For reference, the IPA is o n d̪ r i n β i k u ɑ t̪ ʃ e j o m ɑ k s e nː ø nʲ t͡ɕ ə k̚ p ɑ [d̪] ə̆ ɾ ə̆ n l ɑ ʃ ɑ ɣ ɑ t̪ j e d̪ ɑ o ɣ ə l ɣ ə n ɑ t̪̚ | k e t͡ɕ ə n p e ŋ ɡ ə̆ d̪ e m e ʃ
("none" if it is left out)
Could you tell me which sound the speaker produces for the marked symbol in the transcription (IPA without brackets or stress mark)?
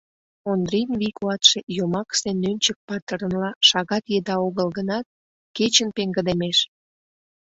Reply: t̪